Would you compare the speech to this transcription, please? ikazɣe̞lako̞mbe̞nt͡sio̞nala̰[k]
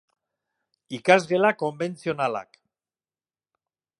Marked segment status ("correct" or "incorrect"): correct